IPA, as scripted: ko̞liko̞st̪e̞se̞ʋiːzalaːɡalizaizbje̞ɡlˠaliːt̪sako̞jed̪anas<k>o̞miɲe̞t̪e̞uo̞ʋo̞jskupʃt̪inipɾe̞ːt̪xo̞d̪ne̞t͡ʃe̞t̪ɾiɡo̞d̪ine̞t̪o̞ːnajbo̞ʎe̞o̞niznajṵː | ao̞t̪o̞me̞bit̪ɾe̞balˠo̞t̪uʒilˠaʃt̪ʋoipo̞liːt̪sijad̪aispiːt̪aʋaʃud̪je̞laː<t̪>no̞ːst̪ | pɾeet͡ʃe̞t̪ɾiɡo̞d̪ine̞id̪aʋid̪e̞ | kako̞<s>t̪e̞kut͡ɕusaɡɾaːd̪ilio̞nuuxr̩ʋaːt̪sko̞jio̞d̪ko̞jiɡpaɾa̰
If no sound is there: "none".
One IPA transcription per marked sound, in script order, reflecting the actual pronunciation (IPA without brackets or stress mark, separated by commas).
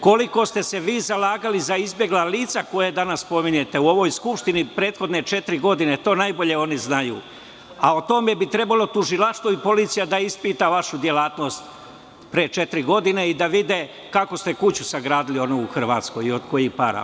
p, t̪, s